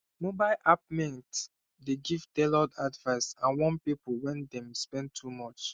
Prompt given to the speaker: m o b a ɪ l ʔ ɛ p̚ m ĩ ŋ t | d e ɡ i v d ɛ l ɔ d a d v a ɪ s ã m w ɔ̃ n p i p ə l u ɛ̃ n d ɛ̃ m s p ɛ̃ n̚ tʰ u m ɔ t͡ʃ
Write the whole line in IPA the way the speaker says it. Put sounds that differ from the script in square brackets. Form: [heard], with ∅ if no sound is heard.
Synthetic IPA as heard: m o b a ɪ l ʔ [a] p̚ m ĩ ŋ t | d e ɡ i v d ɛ l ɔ d a d v a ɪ s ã [n] w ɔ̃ n p i p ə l [w] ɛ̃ n d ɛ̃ m s p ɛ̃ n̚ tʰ u m ɔ t͡ʃ